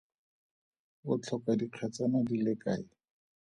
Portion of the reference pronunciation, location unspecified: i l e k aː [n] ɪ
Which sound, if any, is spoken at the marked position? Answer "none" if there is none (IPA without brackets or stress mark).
none